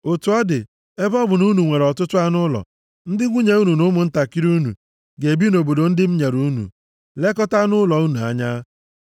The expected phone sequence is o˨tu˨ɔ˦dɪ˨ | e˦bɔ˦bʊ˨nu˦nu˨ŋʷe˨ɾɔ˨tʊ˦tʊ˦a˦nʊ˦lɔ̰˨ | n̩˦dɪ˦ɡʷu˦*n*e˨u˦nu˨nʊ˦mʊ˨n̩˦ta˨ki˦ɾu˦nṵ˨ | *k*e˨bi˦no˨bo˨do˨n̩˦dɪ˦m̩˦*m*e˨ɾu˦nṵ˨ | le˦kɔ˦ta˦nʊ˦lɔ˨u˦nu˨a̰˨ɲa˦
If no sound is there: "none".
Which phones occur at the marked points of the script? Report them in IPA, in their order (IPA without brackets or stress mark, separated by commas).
ɲ, ɡ, ɲ